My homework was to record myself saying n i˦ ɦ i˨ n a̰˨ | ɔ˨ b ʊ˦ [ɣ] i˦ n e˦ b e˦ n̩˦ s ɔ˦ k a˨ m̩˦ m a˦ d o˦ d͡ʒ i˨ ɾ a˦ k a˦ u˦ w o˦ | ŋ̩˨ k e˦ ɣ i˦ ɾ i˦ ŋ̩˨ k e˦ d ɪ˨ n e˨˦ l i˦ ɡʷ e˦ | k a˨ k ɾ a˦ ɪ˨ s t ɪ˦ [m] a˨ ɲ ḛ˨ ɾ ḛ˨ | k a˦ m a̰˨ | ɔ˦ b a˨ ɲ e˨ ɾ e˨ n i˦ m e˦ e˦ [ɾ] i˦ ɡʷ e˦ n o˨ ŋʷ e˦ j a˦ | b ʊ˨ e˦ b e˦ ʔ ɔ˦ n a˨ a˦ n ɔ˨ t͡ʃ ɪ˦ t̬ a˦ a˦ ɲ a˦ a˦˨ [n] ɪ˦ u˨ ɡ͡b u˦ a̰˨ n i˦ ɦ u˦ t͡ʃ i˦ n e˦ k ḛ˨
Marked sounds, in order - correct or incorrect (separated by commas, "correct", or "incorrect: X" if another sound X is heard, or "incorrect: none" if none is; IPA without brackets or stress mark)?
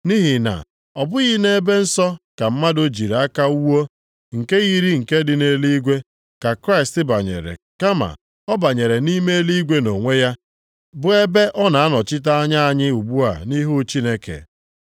correct, incorrect: b, incorrect: l, incorrect: ɲ